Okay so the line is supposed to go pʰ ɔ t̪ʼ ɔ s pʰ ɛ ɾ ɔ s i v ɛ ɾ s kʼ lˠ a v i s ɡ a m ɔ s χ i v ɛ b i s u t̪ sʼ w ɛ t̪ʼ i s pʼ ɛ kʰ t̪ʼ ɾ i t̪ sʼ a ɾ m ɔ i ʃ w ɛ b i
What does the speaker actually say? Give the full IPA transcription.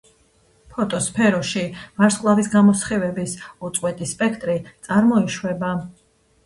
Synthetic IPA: pʰ ɔ t̪ʼ ɔ s pʰ ɛ ɾ ɔ ʃ i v a ɾ s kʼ lˠ a v i s ɡ a m ɔ s χ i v ɛ b i s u t̪ sʼ w ɛ t̪ʼ i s pʼ ɛ kʰ t̪ʼ ɾ i t̪ sʼ a ɾ m ɔ i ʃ w ɛ b a